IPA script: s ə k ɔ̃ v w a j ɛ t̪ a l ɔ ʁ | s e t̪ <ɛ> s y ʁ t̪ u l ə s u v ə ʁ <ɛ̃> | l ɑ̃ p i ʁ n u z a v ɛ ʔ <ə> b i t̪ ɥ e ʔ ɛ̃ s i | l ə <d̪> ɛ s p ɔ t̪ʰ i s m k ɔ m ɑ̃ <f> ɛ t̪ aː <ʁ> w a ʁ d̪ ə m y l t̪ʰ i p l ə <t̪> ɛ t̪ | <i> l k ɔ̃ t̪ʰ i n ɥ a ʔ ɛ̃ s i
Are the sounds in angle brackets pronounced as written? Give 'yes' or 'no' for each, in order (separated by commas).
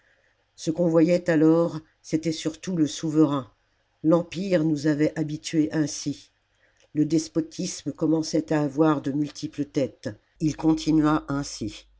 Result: yes, yes, no, yes, no, no, yes, yes